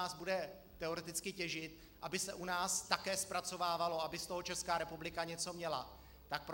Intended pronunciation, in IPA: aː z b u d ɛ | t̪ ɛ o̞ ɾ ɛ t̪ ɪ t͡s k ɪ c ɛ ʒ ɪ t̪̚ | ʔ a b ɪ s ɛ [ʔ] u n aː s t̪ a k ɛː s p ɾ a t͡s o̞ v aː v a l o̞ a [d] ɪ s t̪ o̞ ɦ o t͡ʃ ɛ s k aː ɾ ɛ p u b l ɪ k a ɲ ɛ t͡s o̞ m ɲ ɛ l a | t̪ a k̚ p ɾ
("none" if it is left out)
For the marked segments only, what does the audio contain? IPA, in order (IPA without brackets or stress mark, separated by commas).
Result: ʔ, b